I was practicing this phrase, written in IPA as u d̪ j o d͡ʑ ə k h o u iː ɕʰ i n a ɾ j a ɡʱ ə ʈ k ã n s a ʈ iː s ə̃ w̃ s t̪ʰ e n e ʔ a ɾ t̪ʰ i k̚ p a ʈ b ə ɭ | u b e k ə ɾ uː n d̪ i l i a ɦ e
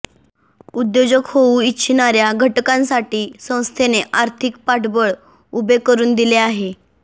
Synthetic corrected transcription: u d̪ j o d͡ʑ ə k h o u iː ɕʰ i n a ɾ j a ɡʱ ə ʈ k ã n s a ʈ iː s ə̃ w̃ s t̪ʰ e n e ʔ a ɾ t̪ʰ i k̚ p a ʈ b ə ɭ | u b e k ə ɾ uː n d̪ i l e a ɦ e